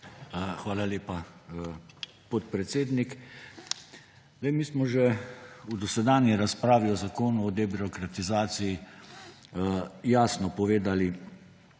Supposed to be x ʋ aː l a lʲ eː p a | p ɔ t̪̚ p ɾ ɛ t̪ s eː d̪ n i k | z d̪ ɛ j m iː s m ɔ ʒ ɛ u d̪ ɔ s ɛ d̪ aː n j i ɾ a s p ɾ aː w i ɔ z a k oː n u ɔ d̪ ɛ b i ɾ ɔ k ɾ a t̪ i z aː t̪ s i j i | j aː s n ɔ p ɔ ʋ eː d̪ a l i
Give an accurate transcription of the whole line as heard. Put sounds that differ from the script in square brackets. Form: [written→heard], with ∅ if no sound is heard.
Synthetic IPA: x ʋ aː l a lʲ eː p a | p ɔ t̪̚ p ɾ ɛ t̪ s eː d̪ n i k | z d̪ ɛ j m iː s m ɔ ʒ ɛ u d̪ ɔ s ɛ d̪ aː n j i ɾ a s p ɾ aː [w→ʋ] i ɔ z a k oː n u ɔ d̪ ɛ b i ɾ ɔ k ɾ a t̪ i z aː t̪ s i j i | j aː s n ɔ p ɔ ʋ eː d̪ a l i